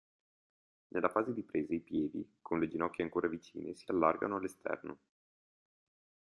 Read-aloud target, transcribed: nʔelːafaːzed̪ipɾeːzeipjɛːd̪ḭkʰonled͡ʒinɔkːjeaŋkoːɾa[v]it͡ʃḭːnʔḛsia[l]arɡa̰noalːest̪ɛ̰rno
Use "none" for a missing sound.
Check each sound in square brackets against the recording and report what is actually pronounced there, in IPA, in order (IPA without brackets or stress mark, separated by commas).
v, lː